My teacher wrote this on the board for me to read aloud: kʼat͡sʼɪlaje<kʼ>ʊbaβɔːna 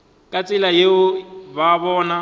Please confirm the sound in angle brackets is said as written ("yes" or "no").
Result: no